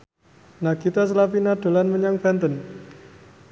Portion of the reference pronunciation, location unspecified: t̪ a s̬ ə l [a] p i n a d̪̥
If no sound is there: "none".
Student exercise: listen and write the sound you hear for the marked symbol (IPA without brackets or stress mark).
a